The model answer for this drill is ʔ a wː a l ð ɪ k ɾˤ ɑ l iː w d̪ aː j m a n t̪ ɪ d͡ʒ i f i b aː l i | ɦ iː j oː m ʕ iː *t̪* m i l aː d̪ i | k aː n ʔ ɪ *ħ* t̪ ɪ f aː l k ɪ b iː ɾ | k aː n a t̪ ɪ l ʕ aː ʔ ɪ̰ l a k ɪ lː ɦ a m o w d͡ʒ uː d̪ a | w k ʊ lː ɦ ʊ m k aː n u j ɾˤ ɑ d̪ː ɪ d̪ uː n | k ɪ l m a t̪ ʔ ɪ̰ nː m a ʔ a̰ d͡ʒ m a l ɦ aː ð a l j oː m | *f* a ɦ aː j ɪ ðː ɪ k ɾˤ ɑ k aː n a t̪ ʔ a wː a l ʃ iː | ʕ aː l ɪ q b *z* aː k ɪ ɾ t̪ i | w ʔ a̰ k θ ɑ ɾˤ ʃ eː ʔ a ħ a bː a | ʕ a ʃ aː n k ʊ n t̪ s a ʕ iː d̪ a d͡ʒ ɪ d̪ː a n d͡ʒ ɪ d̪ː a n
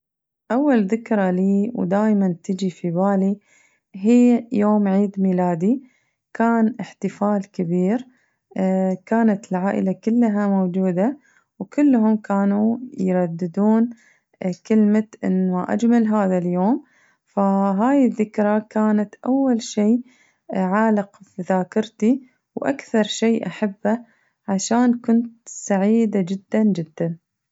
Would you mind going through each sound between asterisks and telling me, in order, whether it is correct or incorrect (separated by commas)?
incorrect, correct, correct, incorrect